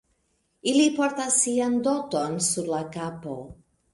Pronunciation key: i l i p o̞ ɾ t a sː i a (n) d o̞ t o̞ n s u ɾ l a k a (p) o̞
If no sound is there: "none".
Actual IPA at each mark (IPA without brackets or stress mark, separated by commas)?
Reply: n, p